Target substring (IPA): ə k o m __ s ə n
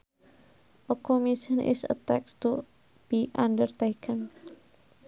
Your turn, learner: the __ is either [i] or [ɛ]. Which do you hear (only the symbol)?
i